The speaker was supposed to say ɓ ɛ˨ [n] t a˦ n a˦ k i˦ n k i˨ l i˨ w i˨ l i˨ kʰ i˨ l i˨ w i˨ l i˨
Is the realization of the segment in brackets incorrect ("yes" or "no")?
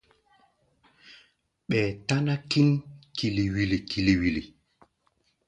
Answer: yes